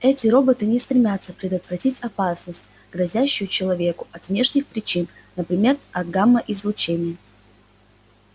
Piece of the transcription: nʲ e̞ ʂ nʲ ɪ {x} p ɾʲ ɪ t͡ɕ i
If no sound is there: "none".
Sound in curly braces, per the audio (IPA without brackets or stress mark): x